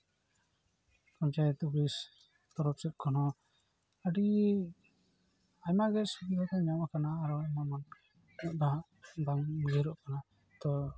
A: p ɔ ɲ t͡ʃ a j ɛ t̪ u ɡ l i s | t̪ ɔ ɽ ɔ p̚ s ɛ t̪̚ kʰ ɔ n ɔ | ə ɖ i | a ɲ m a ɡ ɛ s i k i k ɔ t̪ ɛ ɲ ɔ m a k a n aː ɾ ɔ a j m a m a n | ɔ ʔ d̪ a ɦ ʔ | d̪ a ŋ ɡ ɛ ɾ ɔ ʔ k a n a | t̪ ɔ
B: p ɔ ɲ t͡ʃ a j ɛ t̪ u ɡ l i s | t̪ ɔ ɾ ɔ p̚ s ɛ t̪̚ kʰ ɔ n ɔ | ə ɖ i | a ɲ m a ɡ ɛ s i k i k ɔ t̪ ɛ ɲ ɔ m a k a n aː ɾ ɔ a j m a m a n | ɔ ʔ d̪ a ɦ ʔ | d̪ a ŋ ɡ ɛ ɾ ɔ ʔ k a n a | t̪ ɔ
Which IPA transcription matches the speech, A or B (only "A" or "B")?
B